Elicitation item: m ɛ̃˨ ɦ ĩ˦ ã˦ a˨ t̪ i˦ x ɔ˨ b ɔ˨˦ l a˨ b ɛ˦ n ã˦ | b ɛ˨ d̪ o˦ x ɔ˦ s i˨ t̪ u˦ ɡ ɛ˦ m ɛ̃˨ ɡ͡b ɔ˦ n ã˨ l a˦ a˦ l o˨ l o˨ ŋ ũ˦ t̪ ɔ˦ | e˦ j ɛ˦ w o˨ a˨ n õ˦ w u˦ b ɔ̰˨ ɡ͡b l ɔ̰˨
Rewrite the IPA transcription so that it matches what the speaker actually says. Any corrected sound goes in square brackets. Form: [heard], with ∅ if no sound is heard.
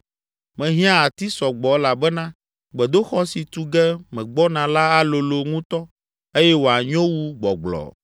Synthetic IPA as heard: m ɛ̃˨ ɦ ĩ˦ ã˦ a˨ t̪ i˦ [s] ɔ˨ [ɡ͡b] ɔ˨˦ l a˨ b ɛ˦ n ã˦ | [ɡ͡b] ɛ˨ d̪ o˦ x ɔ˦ s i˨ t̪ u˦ ɡ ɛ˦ m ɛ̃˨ ɡ͡b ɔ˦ n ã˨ l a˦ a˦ l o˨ l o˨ ŋ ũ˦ t̪ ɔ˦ | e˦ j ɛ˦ w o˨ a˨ [ɲ] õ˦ w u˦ [ɡ͡b] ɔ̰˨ ɡ͡b l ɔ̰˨